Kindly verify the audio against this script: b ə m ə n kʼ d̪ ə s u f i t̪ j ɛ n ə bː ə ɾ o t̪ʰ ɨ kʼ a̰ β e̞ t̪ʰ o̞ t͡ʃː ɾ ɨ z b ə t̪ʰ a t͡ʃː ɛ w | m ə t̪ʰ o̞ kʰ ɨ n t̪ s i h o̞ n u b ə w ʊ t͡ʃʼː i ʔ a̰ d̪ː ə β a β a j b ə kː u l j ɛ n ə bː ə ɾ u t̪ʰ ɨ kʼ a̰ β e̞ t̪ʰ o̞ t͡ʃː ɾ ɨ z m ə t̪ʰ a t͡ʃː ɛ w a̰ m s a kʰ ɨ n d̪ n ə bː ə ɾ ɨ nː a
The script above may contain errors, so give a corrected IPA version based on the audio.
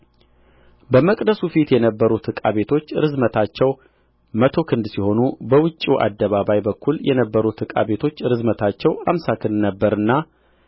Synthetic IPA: b ə m ə kʼ d̪ ə s u f i t̪ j ɛ n ə bː ə ɾ u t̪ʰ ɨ kʼ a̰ β e̞ t̪ʰ o̞ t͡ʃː ɾ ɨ z m ə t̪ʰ a t͡ʃː ɛ w | m ə t̪ʰ o̞ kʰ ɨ n d̪ s i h o̞ n u b ə w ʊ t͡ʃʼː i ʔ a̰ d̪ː ə β a β a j b ə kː u l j ɛ n ə bː ə ɾ u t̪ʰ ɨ kʼ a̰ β e̞ t̪ʰ o̞ t͡ʃː ɾ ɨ z m ə t̪ʰ a t͡ʃː ɛ w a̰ m s a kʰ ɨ n d̪ n ə bː ə ɾ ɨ nː a

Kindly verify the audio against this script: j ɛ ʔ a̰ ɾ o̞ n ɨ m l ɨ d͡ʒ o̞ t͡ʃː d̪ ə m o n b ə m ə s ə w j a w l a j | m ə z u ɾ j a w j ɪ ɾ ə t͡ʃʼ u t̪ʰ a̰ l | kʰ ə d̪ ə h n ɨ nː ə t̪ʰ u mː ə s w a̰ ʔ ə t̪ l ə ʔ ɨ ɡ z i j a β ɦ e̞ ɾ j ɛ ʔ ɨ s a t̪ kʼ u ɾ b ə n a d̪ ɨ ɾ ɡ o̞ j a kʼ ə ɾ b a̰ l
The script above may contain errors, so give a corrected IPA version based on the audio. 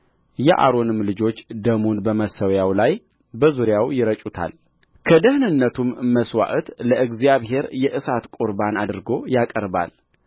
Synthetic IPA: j ɛ ʔ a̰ ɾ o̞ n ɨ m l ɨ d͡ʒ o̞ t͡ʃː d̪ ə m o n b ə m ə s ə w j a w l a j | b ə z u ɾ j a w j ɪ ɾ ə t͡ʃʼ u t̪ʰ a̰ l | kʰ ə d̪ ə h n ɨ nː ə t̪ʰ u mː ə s w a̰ ʔ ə t̪ l ə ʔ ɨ ɡ z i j a β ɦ e̞ ɾ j ɛ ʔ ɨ s a t̪ kʼ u ɾ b a n a d̪ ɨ ɾ ɡ o̞ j a kʼ ə ɾ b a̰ l

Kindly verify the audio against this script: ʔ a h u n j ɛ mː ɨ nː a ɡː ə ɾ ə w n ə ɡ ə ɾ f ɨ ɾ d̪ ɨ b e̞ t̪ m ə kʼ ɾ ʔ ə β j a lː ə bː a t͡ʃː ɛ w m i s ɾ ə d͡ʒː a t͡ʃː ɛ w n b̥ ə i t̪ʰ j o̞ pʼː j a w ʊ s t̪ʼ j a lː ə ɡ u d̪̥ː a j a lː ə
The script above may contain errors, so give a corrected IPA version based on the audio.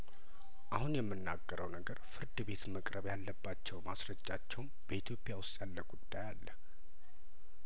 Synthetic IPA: ʔ a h u n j ɛ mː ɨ nː a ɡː ə ɾ ə w n ə ɡ ə ɾ f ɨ ɾ d̪ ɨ b e̞ t̪ m ə kʼ ɾ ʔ ə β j a lː ə bː a t͡ʃː ɛ w m a s ɾ ə d͡ʒː a t͡ʃː ɛ w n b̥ ə i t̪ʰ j o̞ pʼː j a w ʊ s t̪ʼ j a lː ə ɡ u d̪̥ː a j a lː ə

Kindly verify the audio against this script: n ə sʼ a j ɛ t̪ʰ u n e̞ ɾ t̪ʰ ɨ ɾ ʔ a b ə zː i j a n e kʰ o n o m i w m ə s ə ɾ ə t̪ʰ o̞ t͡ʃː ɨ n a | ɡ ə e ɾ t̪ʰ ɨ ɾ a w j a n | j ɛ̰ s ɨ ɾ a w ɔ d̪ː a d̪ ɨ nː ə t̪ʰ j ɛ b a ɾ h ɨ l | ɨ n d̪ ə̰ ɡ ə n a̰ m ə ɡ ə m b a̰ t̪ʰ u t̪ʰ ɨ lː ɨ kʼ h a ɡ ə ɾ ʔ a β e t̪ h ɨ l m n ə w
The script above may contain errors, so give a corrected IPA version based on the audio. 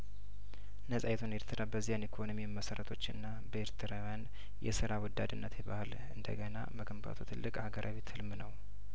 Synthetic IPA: n ə sʼ a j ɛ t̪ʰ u n e̞ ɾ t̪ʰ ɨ ɾ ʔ a b ə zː i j a n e kʰ o n o m i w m ə s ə ɾ ə t̪ʰ o̞ t͡ʃː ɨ nː a | b ə e ɾ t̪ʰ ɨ ɾ a w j a n | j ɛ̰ s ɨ ɾ a w ɔ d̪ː a d̪ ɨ nː ə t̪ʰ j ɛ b a h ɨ l | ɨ n d̪ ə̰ ɡ ə n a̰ m ə ɡ ə m b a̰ t̪ʰ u t̪ʰ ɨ lː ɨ kʼ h a ɡ ə ɾ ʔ a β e t̪ h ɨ l m n ə w

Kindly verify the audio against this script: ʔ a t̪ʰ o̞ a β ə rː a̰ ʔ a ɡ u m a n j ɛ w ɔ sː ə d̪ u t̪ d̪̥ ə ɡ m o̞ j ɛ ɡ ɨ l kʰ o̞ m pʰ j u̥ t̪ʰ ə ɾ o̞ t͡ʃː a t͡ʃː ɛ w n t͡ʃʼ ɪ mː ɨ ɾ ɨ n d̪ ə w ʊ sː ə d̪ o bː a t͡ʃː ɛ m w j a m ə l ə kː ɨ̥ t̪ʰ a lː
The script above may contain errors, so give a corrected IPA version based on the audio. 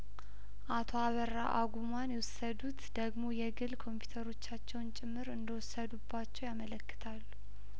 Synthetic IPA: ʔ a t̪ʰ o̞ a β ə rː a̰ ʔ a ɡ u m a n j ɛ w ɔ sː ə d̪ u t̪ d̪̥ ə ɡ m o̞ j ɛ ɡ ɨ l kʰ o̞ m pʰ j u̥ t̪ʰ ə ɾ o̞ t͡ʃː a t͡ʃː ɛ w n t͡ʃʼ ɪ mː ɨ ɾ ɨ n d̪ ə w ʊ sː ə d̪ u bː a t͡ʃː ɛ w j a m ə l ə kː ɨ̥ t̪ʰ a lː

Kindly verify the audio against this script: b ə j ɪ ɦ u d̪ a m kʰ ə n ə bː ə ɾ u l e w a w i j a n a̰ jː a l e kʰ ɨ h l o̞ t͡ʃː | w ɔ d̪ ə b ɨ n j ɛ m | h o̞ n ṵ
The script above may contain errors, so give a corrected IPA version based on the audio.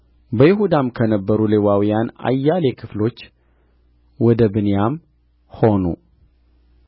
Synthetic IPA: b ə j ɪ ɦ u d̪ a m kʰ ə n ə bː ə ɾ u l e w a w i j a n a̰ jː a l e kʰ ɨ f l o̞ t͡ʃː | w ɔ d̪ ə b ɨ n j a m | h o̞ n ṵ

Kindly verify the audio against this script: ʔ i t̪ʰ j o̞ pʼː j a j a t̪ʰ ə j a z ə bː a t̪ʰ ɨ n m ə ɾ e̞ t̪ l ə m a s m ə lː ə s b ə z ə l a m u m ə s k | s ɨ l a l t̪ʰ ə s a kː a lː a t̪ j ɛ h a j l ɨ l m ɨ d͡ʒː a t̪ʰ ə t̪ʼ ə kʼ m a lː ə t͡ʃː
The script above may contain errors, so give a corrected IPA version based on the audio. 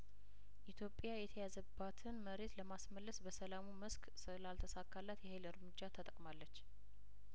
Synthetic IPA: ʔ i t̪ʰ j o̞ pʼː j a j ɛ t̪ʰ ə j a z ə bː a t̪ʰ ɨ n m ə ɾ e̞ t̪ l ə m a s m ə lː ə s b ə s ə l a m u m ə s k | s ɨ l a l t̪ʰ ə s a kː a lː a t̪ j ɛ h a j l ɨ ɾ m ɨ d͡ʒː a t̪ʰ ə t̪ʼ ə kʼ m a lː ə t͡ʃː

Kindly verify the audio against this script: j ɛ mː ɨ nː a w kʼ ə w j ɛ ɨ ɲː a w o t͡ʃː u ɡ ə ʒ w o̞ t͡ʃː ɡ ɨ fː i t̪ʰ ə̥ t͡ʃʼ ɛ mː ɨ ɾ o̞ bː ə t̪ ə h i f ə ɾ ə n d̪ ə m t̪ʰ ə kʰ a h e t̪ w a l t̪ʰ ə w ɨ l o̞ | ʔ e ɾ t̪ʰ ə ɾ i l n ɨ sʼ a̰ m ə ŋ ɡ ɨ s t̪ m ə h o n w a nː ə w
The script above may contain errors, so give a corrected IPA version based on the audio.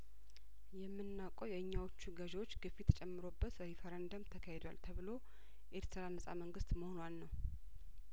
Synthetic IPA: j ɛ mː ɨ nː a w kʼ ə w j ɛ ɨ ɲː a w o t͡ʃː u ɡ ə ʒ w o̞ t͡ʃː ɡ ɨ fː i t̪ʰ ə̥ t͡ʃʼ ɛ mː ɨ ɾ o̞ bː ə t̪ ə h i f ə ɾ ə n d̪ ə m t̪ʰ ə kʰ a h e d̪ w a l t̪ʰ ə β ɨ l o̞ | ʔ e ɾ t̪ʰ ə ɾ a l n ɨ sʼ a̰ m ə ŋ ɡ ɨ s t̪ m ə h o n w a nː ə w

